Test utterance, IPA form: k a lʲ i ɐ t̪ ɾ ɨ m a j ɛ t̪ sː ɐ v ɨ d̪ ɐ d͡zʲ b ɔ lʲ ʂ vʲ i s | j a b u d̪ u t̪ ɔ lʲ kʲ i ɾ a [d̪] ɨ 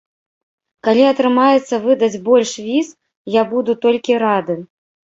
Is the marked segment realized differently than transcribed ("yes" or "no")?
no